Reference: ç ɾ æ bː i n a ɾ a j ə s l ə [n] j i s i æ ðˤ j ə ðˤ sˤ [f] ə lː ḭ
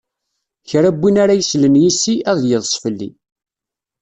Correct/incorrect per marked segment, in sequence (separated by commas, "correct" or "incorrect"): correct, correct